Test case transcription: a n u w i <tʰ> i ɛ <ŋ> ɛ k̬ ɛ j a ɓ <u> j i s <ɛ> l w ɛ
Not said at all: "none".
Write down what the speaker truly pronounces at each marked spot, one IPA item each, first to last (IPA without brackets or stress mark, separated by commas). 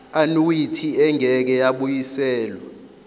tʰ, ŋ, u, ɛː